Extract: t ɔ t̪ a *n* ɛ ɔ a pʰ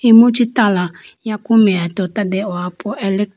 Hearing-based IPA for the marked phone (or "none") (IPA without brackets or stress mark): d